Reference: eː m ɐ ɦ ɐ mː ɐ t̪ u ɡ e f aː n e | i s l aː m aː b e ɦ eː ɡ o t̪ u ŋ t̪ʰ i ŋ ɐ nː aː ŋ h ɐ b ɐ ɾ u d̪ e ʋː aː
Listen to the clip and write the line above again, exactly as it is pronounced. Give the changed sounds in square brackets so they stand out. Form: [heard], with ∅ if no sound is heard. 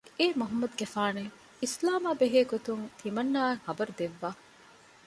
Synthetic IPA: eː m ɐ ɦ ɐ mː ɐ [d̪] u ɡ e f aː n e | i s l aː m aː b e ɦ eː ɡ o t̪ u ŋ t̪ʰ i [m] ɐ nː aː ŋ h ɐ b ɐ ɾ u d̪ e ʋː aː